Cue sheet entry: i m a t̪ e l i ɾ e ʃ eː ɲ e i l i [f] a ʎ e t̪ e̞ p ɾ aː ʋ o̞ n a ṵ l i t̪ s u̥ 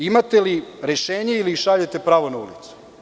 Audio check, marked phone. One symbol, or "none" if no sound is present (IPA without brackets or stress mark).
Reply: ʃ